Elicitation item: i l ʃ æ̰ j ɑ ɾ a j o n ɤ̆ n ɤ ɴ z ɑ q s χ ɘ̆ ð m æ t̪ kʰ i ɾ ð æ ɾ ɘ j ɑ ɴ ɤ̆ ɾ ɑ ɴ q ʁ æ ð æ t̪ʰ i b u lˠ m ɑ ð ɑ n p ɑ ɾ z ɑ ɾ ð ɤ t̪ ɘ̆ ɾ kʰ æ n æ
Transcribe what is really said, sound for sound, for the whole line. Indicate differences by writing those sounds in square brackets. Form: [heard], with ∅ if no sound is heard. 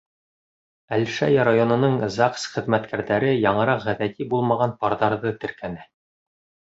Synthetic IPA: [æ] l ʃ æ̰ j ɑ ɾ a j o n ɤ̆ n ɤ ɴ z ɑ q s χ ɘ̆ ð m æ t̪ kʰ [æ] ɾ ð æ ɾ ɘ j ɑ ɴ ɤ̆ ɾ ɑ [∅] q ʁ æ ð æ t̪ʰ i b u lˠ m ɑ [ʁ] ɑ n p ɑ ɾ [ð] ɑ ɾ ð ɤ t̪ ɘ̆ ɾ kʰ æ n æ